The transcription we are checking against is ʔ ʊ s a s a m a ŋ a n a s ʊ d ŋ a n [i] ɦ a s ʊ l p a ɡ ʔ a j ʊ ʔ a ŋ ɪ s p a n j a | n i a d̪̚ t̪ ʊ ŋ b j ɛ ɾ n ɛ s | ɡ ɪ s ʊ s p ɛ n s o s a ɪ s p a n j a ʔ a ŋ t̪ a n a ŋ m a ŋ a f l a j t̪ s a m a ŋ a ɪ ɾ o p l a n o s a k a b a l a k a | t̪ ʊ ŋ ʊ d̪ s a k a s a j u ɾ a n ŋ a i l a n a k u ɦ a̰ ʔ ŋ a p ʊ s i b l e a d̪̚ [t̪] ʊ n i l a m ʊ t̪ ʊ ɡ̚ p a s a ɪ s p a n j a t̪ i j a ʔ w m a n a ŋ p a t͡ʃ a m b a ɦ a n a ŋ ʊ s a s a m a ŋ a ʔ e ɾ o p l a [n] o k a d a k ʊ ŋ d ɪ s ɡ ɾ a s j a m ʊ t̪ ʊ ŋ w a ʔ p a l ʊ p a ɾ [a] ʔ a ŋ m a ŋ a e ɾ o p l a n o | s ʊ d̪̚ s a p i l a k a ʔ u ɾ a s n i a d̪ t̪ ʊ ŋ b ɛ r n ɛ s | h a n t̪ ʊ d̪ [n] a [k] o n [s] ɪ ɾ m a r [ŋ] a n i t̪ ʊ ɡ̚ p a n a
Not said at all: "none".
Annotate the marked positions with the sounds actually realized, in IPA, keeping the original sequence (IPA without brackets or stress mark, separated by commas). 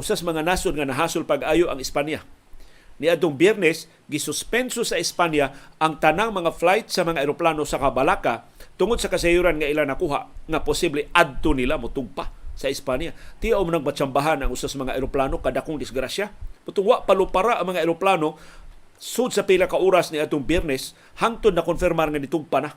a, t̪, n, a, n, k, f, ŋ